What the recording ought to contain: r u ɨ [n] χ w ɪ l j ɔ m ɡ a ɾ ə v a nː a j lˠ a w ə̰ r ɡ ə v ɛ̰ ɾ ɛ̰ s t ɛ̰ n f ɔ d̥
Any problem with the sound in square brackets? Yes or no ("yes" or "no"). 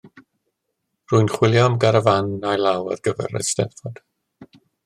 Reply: no